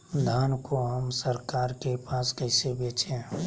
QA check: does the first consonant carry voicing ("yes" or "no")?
yes